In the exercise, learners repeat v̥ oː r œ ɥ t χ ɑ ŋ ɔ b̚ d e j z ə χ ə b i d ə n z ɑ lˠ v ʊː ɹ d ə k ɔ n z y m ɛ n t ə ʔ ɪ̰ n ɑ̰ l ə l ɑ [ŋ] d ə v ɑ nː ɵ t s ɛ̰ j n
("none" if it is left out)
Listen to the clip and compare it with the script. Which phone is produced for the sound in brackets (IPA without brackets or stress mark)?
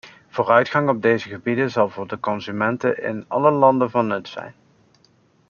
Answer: n